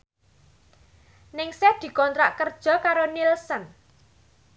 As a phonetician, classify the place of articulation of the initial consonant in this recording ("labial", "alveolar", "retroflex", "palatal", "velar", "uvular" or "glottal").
alveolar